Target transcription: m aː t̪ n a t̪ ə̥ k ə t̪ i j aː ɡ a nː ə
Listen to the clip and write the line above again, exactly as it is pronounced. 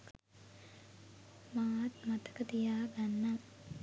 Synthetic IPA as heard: m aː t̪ m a t̪ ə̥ k ə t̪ i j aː ɡ a nː a